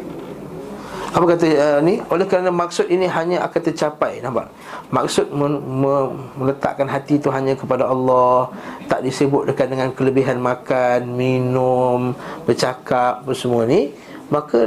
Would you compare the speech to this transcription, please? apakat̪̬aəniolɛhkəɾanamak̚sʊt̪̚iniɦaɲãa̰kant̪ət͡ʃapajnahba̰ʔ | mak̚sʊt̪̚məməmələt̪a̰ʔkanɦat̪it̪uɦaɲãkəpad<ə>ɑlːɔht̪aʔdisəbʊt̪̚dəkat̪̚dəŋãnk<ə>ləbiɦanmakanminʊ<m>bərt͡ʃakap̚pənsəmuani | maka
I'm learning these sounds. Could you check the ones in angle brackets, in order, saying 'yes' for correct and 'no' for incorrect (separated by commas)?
no, yes, yes